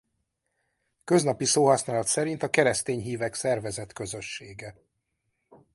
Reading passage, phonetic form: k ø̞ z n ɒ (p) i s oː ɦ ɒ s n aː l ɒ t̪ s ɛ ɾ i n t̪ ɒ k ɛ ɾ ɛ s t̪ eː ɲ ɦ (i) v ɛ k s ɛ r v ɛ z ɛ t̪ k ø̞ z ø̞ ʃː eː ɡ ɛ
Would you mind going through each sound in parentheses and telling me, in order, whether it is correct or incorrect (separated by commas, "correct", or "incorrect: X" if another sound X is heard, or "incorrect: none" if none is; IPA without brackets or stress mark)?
correct, incorrect: iː